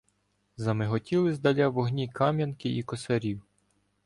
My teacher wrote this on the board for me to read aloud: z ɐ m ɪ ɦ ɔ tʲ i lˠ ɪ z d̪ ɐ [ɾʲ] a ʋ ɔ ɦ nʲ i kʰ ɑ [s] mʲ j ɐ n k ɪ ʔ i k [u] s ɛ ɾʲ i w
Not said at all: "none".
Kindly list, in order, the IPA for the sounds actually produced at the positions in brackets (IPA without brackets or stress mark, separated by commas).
lʲ, none, ɔ